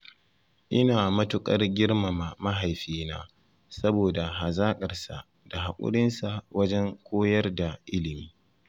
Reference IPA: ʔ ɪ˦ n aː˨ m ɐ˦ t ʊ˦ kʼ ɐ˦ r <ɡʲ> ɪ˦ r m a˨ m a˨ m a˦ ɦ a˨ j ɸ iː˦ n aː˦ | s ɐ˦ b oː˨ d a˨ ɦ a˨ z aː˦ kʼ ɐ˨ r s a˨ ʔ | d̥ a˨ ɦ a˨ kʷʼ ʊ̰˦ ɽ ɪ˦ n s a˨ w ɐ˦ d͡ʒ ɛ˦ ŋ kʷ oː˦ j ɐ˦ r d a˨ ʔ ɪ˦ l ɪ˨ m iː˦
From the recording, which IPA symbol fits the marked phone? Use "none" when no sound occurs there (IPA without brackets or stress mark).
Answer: ɡʲ